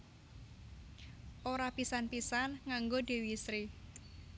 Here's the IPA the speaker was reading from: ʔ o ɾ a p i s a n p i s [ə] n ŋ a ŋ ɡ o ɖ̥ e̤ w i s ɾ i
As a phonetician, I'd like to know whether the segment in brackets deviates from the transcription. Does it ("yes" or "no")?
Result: yes